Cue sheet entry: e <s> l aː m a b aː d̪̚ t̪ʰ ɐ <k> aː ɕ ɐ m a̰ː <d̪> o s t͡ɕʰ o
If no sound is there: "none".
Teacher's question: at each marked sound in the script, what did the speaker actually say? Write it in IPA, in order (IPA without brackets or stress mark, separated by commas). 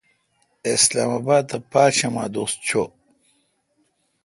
s, p, d̪